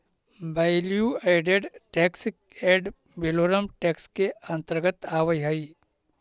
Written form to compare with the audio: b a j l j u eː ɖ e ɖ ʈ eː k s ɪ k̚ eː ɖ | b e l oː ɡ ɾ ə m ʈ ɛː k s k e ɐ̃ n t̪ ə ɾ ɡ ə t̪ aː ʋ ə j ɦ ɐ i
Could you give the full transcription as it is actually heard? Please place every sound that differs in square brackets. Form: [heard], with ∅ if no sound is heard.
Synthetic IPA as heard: b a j l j u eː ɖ e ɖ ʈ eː k s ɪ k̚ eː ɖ | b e l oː [∅] ɾ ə m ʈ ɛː k s k e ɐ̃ n t̪ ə ɾ ɡ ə t̪ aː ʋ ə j ɦ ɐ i